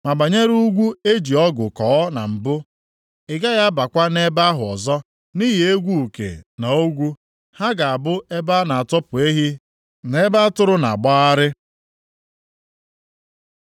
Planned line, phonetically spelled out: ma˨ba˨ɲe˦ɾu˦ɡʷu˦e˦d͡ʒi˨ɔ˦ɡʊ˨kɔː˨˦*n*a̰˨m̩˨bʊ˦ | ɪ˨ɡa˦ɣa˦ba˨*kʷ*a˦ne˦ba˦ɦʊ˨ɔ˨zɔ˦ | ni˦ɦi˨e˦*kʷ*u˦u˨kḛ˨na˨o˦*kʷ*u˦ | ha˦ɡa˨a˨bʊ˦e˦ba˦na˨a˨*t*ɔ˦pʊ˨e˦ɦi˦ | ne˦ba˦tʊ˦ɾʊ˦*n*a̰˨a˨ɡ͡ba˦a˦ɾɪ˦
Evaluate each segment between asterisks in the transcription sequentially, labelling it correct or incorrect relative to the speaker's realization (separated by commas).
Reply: correct, correct, incorrect, incorrect, correct, correct